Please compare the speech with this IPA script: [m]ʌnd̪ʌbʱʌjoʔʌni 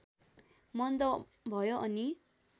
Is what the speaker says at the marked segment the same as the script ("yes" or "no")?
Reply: yes